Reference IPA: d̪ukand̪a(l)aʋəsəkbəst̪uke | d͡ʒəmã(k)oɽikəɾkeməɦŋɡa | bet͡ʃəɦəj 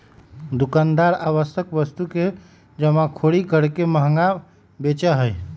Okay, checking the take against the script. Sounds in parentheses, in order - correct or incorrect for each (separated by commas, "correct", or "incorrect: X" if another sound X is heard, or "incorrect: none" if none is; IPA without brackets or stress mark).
incorrect: ɾ, incorrect: kʰ